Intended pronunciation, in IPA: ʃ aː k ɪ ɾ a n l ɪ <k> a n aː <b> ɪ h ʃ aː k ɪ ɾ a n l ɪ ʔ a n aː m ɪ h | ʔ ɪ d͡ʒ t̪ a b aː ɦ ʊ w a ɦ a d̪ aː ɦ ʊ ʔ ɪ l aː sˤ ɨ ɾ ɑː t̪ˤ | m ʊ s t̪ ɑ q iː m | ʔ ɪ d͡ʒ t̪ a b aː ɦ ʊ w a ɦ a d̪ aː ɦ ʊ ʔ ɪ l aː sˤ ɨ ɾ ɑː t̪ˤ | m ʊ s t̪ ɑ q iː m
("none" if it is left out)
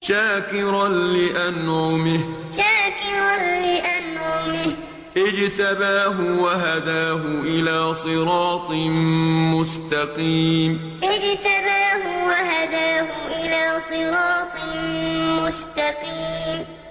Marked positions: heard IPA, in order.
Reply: ʔ, m

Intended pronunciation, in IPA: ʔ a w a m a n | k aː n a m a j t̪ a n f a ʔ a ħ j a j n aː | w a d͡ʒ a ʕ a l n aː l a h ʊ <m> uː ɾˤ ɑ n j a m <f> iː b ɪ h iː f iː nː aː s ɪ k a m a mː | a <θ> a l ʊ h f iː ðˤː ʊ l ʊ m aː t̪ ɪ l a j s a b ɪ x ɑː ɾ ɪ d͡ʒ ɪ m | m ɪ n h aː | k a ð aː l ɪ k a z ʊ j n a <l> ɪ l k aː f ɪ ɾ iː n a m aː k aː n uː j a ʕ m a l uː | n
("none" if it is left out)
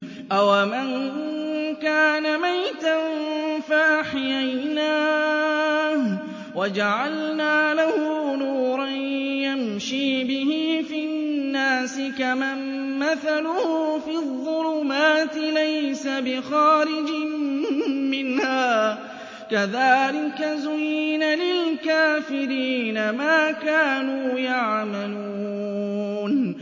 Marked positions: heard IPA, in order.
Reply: n, ʃ, θ, l

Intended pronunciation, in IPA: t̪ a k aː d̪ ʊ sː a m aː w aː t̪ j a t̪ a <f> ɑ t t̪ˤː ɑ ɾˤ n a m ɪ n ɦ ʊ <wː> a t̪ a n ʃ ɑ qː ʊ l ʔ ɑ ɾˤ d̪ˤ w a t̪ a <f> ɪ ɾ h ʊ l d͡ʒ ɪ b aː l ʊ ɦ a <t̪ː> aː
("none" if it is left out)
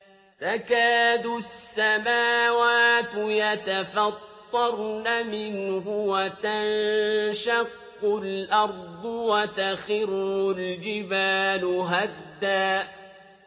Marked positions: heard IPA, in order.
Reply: f, w, x, d̪ː

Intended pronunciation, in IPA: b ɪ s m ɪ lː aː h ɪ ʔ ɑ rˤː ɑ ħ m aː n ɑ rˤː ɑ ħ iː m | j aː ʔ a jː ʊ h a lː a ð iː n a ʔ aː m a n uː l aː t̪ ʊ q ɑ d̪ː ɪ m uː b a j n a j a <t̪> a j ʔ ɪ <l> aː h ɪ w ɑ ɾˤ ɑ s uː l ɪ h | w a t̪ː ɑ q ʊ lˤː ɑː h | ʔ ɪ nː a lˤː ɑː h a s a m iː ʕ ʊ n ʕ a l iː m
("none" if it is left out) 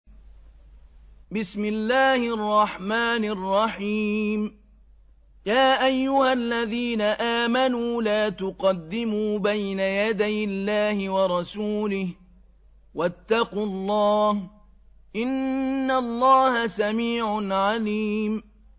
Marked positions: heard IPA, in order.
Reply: d̪, lː

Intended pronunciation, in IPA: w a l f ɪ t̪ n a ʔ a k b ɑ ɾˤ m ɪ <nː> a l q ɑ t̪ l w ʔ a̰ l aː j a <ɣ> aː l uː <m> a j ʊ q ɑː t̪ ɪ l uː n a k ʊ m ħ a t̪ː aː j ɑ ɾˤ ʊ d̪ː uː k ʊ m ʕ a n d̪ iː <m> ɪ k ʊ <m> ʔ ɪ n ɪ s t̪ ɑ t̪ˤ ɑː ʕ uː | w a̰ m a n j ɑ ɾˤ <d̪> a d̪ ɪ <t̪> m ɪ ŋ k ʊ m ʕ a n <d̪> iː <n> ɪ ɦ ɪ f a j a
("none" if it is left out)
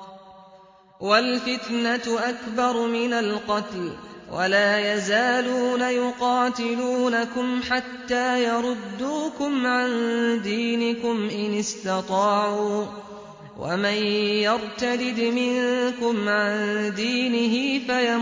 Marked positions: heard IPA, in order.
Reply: n, z, n, n, m, t̪, d̪, d̪, n

